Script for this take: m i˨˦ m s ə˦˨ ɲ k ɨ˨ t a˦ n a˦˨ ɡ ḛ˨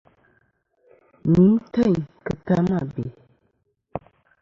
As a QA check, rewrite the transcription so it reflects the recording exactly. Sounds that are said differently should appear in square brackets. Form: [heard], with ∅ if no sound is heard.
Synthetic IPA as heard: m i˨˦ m [t] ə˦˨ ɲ k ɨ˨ t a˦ [m] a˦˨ [b] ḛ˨